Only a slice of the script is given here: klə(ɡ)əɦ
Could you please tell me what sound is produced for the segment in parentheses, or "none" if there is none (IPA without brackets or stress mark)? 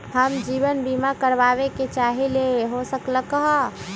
k